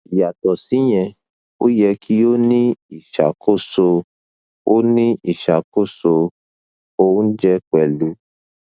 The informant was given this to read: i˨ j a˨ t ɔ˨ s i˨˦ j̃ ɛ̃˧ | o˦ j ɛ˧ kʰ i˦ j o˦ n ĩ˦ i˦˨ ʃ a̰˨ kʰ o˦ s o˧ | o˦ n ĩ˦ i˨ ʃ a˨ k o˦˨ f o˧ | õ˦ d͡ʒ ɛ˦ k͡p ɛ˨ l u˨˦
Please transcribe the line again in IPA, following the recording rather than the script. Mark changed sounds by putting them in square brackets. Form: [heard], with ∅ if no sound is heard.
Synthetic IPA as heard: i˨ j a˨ t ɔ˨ s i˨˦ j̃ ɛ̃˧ | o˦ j ɛ˧ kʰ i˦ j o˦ n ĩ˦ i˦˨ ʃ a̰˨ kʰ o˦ s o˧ | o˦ n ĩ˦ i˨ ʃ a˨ k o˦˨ [s] o˧ | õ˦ d͡ʒ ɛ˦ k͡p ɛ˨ l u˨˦

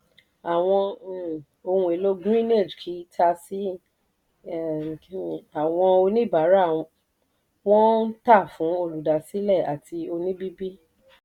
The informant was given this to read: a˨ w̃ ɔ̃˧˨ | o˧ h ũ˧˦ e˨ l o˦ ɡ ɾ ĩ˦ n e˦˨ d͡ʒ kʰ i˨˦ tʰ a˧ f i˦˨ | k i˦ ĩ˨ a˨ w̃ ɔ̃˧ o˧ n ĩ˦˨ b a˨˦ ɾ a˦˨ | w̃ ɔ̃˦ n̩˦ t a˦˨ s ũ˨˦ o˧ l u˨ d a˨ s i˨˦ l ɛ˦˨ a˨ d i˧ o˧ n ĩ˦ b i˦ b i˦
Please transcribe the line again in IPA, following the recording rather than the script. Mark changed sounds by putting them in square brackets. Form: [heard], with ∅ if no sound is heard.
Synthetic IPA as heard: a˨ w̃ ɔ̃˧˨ | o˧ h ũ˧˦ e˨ l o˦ ɡ ɾ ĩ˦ n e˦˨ d͡ʒ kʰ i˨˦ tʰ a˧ [s] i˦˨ | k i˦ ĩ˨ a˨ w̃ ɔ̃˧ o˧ n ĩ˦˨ b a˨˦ ɾ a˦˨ | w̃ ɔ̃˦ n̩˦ t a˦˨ [f] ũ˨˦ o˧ l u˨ d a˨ s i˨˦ l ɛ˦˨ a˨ [t] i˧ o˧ n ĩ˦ b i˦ b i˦

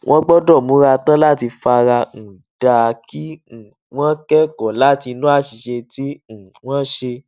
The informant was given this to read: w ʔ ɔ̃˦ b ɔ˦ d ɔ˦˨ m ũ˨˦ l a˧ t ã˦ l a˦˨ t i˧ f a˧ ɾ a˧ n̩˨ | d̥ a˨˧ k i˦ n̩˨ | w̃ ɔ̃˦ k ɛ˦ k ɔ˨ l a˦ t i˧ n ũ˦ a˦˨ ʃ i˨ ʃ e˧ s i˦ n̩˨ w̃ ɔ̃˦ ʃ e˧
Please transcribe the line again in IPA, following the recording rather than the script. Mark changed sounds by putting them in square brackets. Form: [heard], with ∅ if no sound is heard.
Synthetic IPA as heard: w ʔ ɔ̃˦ [ɡ͡b] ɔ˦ d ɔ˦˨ m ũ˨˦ [ɾ] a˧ t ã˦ l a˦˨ t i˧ f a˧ ɾ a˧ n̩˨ | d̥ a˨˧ k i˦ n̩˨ | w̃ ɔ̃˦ k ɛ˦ k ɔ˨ l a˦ t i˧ n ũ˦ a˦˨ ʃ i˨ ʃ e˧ [t] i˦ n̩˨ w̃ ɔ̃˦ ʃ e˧

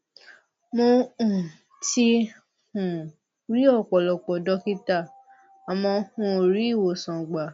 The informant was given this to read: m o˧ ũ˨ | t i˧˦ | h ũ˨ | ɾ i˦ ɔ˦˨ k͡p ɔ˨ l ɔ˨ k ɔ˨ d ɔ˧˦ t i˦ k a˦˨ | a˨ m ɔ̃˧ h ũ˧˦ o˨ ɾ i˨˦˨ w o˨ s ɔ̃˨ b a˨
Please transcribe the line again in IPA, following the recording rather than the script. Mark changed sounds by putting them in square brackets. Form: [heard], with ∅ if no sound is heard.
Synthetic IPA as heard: m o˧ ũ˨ | t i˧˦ | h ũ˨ | ɾ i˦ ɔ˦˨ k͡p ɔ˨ l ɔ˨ [k͡p] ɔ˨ d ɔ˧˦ [k] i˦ [t] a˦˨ | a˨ m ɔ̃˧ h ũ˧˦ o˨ ɾ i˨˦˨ w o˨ s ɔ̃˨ [ɡ͡b] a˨

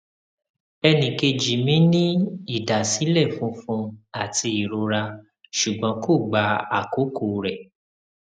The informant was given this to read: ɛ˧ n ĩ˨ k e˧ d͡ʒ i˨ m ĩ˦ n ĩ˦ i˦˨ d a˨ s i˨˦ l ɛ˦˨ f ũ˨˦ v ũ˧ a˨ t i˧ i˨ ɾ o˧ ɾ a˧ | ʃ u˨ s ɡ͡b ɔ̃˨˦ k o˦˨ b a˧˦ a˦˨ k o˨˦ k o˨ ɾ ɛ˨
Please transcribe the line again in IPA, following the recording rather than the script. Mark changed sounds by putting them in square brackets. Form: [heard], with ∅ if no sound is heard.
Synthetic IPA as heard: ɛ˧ n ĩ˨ k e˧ d͡ʒ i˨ m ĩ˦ n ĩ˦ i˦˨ d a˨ s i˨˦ l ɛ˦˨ f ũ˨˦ [f] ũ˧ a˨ t i˧ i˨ ɾ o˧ ɾ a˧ | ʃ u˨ [∅] ɡ͡b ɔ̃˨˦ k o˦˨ [ɡ͡b] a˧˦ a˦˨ k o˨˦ k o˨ ɾ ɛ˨

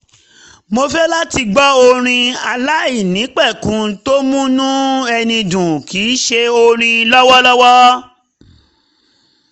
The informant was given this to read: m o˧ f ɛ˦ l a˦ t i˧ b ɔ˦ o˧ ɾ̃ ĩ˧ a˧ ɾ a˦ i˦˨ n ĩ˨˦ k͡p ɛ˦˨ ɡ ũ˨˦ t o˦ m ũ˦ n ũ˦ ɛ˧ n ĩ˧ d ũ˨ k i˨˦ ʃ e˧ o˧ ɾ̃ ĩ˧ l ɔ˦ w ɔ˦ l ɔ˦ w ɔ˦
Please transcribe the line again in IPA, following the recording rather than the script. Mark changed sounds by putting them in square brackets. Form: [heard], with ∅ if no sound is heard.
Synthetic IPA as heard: m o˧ f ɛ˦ l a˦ t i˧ [ɡ͡b] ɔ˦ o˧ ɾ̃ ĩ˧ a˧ [l] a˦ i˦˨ n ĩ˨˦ k͡p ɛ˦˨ [k] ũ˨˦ t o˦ m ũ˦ n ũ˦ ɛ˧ n ĩ˧ d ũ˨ k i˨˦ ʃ e˧ o˧ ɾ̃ ĩ˧ l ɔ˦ w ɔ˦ l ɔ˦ w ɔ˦

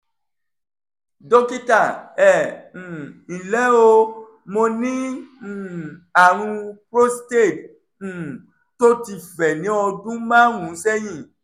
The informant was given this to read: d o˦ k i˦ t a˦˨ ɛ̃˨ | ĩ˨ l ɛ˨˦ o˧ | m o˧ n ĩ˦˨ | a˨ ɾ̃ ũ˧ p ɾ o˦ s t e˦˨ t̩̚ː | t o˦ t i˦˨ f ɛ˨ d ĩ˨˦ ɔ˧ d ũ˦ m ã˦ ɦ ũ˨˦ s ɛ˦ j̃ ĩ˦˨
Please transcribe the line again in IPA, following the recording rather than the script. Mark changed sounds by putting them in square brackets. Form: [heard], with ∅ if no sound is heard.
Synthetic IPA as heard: d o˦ k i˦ t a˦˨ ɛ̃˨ | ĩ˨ l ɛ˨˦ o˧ | m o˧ n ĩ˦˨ | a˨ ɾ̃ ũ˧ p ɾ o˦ s t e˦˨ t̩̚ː | t o˦ t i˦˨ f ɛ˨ [n] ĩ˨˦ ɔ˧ d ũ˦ m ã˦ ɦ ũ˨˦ s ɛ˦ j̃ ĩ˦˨

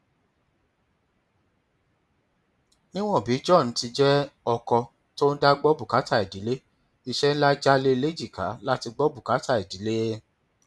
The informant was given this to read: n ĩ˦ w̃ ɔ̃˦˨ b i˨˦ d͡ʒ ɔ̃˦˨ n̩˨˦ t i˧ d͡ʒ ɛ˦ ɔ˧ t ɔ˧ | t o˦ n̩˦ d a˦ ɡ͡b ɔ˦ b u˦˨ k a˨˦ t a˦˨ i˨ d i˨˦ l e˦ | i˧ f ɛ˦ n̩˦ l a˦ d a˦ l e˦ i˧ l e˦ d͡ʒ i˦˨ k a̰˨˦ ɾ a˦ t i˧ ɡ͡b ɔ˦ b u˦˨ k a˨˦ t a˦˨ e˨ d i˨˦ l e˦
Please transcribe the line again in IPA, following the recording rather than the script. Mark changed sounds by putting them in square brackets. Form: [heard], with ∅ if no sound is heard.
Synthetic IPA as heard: n ĩ˦ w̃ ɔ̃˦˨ b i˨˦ d͡ʒ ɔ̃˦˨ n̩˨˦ t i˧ d͡ʒ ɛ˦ ɔ˧ [k] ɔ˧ | t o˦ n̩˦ d a˦ ɡ͡b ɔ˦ b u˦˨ k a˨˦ t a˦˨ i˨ d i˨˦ l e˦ | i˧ [ʃ] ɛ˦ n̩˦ l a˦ [d͡ʒ] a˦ l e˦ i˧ l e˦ d͡ʒ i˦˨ k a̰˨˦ [l] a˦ t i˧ ɡ͡b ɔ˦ b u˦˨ k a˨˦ t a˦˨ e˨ d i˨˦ l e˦

